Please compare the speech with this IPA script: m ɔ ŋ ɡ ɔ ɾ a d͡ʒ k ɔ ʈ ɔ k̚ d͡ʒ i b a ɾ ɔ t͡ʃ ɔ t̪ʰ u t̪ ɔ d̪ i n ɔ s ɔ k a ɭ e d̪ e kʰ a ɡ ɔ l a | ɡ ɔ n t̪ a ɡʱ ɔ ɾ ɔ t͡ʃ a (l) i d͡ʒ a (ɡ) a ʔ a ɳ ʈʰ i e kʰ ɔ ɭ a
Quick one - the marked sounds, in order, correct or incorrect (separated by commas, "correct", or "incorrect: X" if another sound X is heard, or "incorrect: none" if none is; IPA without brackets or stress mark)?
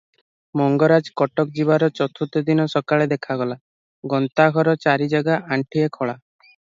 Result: incorrect: ɾ, correct